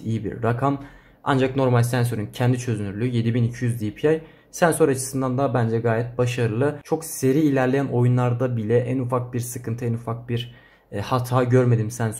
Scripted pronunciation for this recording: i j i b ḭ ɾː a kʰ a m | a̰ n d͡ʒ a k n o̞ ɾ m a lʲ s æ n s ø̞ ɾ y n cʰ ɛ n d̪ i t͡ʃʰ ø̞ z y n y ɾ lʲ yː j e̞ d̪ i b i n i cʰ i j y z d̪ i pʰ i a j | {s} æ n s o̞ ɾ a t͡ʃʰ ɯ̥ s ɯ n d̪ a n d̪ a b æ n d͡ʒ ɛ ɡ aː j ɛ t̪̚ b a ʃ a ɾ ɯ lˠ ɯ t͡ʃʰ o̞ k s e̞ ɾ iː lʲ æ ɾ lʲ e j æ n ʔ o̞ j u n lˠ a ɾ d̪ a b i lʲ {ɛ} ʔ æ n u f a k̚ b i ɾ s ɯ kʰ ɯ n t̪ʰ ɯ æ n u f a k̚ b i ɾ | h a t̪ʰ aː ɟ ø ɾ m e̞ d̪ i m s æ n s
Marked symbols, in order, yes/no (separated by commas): yes, yes